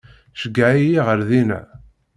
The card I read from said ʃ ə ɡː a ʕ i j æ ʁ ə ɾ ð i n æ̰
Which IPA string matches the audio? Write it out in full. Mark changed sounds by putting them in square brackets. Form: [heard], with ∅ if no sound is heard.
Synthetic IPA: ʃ ə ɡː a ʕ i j [i] ʁ ə ɾ ð i n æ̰